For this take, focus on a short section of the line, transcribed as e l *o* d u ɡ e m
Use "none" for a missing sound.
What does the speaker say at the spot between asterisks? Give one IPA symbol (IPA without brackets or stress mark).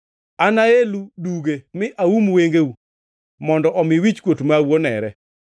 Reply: u